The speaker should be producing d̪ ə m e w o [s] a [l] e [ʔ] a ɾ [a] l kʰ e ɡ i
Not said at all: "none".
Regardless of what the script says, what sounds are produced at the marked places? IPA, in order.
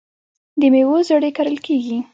z, ɽ, k, ə

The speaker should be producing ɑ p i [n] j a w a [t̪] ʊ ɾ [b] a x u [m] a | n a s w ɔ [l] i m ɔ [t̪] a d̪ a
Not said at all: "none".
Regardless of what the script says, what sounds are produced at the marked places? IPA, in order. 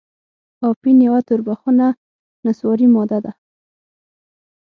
n, t̪, b, n, ɾ, d̪

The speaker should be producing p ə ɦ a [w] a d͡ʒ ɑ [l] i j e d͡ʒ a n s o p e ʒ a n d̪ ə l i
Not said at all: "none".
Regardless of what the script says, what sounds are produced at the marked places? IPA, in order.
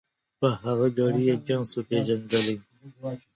ɣ, ɽ

